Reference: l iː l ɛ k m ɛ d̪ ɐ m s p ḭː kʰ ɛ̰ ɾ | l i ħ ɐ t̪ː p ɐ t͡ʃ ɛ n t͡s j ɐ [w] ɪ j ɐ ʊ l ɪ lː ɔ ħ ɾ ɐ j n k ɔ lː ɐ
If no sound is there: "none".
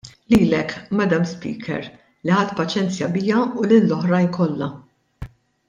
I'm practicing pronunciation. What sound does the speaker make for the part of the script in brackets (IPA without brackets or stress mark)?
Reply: b